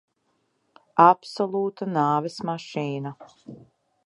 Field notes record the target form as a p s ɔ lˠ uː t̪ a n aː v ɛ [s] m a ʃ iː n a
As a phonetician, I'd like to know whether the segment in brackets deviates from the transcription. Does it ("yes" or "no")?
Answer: no